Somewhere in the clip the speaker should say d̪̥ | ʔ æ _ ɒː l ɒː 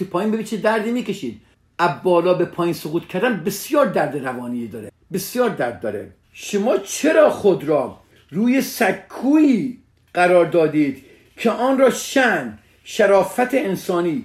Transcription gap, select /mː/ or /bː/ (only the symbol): bː